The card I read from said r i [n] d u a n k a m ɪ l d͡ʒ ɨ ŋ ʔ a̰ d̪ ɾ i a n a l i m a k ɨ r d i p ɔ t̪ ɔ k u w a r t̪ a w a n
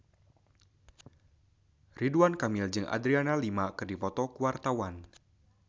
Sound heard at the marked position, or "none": none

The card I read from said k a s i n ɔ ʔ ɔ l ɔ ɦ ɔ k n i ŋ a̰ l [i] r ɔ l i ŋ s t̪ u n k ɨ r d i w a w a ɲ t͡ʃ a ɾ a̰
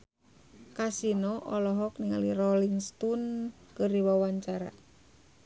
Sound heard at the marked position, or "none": i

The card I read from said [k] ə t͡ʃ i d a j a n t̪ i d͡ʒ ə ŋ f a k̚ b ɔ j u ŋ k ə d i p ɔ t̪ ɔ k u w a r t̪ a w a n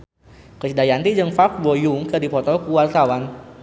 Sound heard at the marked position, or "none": k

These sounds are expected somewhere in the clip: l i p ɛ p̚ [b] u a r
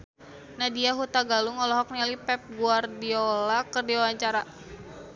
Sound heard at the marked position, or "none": ɡ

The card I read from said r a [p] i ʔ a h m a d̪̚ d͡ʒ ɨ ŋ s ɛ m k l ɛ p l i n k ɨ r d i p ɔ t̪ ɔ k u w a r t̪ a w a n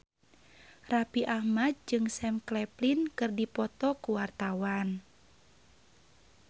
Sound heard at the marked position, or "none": p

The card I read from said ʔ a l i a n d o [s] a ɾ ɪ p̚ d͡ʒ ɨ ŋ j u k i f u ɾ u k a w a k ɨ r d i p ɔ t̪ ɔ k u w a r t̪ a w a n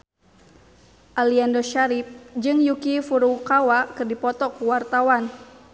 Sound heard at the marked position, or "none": ʃ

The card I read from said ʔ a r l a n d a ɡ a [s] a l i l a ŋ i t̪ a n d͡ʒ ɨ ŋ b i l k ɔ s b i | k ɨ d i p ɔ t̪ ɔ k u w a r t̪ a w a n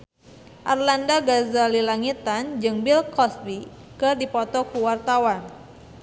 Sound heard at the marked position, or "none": z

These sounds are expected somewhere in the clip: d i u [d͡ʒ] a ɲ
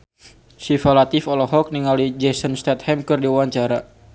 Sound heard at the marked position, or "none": none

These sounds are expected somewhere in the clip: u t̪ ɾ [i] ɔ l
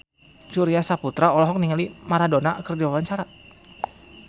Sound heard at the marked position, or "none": a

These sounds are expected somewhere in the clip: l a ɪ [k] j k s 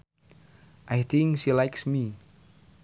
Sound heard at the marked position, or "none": none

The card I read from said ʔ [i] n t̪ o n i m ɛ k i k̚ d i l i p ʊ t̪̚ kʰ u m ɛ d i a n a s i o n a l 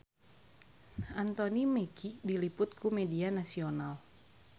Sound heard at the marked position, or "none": a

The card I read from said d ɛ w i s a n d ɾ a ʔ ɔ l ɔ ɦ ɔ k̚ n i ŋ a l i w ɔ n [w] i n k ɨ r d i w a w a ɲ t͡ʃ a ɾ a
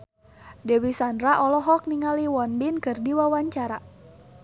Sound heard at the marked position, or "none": b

